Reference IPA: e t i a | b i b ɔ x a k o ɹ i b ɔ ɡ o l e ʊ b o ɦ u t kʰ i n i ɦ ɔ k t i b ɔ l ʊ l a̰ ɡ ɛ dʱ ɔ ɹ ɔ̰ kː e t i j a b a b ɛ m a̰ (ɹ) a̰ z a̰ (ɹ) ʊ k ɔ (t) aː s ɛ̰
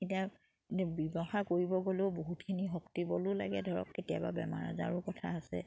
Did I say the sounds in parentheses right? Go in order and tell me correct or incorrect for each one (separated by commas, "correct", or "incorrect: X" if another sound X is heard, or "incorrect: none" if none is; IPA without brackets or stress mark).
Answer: correct, correct, incorrect: tʰ